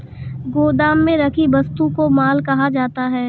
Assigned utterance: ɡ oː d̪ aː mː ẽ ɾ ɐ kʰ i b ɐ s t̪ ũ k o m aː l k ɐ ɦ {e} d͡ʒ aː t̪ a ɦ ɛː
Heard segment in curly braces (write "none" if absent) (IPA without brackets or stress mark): a